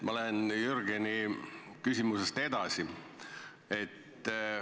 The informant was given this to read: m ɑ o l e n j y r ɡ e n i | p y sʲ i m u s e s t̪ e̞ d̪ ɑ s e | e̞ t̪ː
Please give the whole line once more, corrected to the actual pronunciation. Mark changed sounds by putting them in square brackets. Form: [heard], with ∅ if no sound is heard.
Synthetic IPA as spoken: m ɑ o l e n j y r ɡ e n i | [k] y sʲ i m u s e s t̪ e̞ d̪ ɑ s [i] | e̞ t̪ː

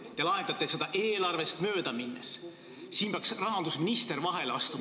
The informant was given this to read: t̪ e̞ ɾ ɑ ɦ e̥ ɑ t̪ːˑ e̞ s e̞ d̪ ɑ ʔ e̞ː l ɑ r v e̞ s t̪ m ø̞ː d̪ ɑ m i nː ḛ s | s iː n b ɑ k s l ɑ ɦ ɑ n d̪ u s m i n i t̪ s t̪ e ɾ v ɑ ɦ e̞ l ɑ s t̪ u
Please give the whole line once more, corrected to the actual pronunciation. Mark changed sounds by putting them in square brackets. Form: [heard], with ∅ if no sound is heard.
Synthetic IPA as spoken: t̪ e̞ [l] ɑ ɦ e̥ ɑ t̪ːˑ e̞ s e̞ d̪ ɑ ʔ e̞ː l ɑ r v e̞ s t̪ m ø̞ː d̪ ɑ m i nː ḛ s | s iː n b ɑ k s [r] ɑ ɦ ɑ n d̪ u s m i n i [∅] s t̪ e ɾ v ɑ ɦ e̞ l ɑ s t̪ u

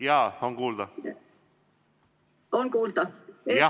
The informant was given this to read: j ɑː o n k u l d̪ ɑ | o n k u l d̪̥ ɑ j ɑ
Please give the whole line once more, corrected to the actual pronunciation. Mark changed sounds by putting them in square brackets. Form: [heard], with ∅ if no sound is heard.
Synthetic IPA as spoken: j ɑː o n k [uː] l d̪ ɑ | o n k [uː] l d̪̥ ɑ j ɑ

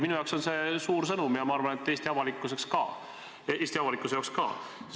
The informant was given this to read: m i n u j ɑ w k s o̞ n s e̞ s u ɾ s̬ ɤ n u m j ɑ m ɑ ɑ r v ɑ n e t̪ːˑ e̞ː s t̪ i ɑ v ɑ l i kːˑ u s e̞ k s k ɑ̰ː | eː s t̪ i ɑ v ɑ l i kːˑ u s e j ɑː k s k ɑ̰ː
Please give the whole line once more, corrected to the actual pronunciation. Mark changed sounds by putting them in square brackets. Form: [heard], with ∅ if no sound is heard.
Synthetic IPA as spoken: m i n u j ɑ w k s o̞ n s e̞ s [uː] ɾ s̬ ɤ n u m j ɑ m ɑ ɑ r v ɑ n e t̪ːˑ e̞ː s t̪ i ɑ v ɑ l i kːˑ u s e̞ k s k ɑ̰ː | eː s t̪ i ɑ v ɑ l i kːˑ u s e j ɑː k s k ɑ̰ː

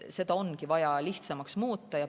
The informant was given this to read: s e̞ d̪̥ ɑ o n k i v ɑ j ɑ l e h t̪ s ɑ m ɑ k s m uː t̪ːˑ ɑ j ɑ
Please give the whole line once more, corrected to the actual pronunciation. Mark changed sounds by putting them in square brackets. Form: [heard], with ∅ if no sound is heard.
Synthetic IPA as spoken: s e̞ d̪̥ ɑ o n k i v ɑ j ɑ l [i] h t̪ s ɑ m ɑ k s m uː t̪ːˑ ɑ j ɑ

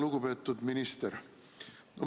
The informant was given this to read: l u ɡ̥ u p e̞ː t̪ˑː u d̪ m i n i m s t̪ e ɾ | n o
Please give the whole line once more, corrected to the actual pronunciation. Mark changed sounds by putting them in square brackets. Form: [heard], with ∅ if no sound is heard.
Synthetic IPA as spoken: l u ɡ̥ u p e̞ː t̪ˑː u d̪ m i n i [∅] s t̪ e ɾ | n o

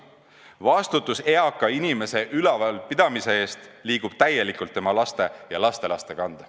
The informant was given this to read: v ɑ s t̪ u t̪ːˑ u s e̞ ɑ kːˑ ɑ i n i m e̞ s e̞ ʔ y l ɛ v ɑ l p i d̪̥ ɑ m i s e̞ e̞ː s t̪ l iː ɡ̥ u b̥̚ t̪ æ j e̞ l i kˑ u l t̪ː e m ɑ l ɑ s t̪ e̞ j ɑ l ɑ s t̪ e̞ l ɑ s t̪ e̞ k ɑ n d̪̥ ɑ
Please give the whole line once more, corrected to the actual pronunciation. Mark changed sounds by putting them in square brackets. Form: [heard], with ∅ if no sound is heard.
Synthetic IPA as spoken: v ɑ s t̪ u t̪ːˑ u s e̞ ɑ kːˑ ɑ i n i m e̞ s e̞ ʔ y l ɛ v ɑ l p i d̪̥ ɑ m i s e̞ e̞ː s t̪ l iː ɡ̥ u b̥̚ t̪ æ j e̞ l i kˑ u l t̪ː e m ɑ l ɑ s t̪ e̞ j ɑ l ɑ s t̪ e̞ l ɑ s t̪ e̞ k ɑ n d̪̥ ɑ

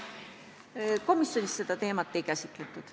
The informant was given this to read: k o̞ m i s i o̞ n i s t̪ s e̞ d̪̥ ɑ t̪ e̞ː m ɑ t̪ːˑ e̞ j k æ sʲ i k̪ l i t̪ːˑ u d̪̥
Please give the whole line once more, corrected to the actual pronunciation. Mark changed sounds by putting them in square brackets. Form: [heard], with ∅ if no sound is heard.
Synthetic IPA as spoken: k o̞ m i s [j] o̞ n i s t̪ s e̞ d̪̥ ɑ t̪ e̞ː m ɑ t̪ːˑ e̞ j k æ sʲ i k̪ l [e] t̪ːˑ u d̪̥

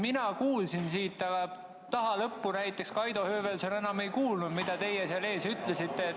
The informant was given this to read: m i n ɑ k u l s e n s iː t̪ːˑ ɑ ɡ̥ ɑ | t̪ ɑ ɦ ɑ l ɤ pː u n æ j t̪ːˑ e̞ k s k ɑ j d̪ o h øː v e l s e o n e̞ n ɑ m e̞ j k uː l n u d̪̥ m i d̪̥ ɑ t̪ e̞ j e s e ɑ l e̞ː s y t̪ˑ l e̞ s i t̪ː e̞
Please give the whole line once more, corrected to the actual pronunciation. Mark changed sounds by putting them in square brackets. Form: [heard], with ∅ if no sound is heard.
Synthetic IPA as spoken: m i n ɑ k [uː] l s [i] n s iː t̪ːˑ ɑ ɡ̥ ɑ | t̪ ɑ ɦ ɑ l ɤ pː u n æ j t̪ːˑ e̞ k s k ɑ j d̪ o h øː v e l s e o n e̞ n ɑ m e̞ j k uː l n u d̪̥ m i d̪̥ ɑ t̪ e̞ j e s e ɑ l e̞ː s y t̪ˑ l e̞ s i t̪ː e̞

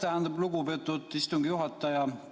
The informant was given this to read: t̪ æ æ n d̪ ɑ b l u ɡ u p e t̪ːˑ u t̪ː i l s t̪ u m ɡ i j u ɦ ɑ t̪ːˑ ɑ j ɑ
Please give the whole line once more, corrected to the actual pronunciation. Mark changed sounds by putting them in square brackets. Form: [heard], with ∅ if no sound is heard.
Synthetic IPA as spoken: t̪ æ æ n d̪ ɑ b l u ɡ u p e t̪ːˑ u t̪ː i [∅] s t̪ u [ŋ] ɡ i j u ɦ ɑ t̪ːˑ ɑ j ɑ

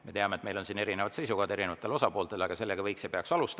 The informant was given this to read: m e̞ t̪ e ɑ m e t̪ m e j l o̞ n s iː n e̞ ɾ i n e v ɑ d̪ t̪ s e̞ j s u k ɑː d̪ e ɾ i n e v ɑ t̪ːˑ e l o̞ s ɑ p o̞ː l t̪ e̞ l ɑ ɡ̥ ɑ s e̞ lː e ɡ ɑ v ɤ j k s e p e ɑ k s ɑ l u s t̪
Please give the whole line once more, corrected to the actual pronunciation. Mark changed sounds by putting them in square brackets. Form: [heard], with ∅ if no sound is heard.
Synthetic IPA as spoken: m e̞ t̪ e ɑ m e t̪ m e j l o̞ n s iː n e̞ ɾ i n e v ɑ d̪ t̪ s e̞ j s u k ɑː d̪ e ɾ i n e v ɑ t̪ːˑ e l o̞ s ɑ p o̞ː l t̪ e̞ l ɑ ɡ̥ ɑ s e̞ lː e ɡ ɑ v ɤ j k s e p e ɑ k s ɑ l u s t̪

